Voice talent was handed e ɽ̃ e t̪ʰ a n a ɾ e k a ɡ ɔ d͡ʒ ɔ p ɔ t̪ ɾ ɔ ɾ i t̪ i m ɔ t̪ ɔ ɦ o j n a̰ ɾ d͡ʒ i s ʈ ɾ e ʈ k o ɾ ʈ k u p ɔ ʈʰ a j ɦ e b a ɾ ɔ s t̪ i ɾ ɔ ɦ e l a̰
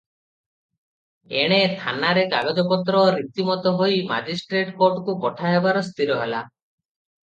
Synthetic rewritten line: e ɽ̃ e t̪ʰ a n a ɾ e k a ɡ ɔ d͡ʒ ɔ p ɔ t̪ ɾ ɔ ɾ i t̪ i m ɔ t̪ ɔ ɦ o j m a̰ d͡ʒ i s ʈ ɾ e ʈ k o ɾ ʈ k u p ɔ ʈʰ a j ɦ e b a ɾ ɔ s t̪ i ɾ ɔ ɦ e l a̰